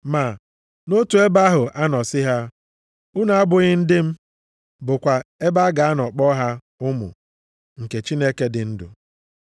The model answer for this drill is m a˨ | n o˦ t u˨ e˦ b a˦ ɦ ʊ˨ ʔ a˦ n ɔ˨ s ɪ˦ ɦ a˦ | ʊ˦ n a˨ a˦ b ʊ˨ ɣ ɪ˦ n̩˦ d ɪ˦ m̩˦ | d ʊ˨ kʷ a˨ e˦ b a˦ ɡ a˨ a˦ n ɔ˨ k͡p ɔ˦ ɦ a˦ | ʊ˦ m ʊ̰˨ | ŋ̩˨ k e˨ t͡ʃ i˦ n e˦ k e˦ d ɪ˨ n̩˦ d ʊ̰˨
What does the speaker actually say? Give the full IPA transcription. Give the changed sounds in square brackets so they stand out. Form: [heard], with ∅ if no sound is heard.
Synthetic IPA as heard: m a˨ | n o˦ t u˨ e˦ b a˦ ɦ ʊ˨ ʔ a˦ n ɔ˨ s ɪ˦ ɦ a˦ | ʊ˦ n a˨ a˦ b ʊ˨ ɣ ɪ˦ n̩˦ d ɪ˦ m̩˦ | [b] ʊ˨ kʷ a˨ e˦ b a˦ ɡ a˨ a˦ n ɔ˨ k͡p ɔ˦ ɦ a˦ | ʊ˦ m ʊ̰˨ | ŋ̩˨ k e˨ t͡ʃ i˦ n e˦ k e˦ d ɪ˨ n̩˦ d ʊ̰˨